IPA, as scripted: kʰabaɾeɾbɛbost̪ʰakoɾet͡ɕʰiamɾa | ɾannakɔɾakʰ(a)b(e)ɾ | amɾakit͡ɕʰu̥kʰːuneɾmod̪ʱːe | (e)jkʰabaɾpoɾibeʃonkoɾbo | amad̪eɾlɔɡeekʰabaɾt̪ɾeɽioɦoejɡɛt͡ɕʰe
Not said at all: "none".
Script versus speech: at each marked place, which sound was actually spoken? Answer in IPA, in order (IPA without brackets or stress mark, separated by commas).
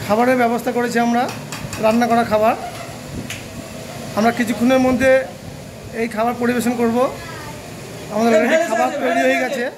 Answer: a, a, e